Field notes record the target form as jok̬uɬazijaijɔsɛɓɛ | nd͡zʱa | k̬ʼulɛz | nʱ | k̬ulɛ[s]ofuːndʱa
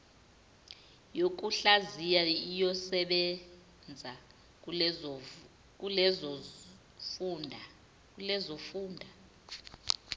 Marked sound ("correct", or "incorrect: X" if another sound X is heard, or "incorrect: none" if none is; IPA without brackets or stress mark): incorrect: z